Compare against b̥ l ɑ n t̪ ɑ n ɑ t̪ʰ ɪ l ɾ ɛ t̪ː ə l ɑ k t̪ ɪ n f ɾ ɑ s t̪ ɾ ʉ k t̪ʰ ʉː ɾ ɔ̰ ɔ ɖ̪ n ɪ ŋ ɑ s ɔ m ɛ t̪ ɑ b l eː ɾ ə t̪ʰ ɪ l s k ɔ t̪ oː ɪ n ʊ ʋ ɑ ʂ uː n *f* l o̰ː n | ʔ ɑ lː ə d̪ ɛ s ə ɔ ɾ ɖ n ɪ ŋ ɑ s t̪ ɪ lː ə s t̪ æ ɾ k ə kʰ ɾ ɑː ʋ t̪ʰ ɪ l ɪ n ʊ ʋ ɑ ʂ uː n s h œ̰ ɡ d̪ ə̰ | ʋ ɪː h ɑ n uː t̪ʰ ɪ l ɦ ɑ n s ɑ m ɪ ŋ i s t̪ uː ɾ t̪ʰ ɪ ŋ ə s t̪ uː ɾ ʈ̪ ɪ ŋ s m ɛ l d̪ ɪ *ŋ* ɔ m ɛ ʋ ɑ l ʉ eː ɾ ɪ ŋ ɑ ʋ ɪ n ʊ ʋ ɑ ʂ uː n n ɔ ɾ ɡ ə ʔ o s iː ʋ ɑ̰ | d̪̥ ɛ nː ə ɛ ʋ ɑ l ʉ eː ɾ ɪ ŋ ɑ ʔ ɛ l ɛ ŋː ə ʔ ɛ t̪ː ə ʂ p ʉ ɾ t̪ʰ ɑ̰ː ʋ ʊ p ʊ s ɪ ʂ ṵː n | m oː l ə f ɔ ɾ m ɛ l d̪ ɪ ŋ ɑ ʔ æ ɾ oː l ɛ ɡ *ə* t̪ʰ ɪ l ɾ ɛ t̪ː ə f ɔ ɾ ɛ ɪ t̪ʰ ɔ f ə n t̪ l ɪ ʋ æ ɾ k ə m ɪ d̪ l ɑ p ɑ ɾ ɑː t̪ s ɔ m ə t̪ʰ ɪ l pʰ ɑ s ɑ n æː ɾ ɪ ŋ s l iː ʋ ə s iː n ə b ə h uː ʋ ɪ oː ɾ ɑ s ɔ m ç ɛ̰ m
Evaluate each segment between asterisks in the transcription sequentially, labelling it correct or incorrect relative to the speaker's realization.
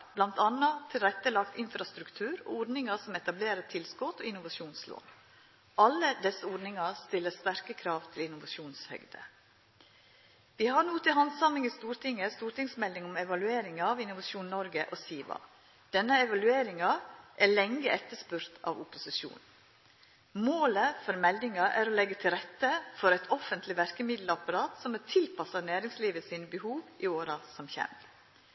incorrect: s, correct, correct

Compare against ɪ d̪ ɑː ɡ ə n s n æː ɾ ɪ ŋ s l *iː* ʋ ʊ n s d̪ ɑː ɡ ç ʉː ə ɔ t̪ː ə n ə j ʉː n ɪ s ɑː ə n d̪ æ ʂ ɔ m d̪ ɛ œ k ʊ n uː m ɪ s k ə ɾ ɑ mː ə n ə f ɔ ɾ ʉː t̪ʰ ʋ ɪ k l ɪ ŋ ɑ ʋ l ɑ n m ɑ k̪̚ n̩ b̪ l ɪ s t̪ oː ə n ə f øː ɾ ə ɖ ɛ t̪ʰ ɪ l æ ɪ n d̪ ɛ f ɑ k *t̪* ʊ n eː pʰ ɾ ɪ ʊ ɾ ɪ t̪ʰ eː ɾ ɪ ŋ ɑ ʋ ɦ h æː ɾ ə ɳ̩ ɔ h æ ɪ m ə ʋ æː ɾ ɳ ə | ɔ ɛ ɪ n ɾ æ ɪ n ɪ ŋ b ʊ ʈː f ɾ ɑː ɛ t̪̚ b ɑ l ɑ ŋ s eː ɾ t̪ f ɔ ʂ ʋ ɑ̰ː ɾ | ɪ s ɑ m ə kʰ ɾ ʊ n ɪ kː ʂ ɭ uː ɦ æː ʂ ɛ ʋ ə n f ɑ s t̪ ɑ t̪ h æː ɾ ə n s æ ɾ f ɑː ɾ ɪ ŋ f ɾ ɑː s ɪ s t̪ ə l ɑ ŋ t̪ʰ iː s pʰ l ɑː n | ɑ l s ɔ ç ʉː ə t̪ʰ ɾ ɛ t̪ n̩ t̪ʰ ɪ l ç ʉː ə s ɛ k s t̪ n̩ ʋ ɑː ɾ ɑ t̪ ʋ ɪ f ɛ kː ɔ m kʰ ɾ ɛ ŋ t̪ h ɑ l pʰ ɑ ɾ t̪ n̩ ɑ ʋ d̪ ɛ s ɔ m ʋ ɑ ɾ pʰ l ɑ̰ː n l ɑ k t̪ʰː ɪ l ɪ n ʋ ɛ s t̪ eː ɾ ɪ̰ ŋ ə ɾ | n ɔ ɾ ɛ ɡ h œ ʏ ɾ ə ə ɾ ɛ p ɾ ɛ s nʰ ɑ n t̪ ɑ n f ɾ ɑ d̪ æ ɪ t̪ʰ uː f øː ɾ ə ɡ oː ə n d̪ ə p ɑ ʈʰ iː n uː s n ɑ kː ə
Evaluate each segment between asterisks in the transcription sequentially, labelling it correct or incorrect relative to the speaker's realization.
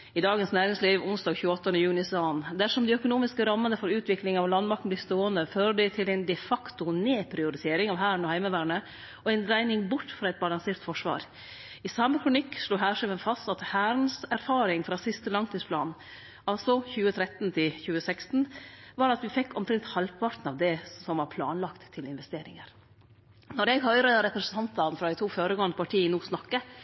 correct, correct

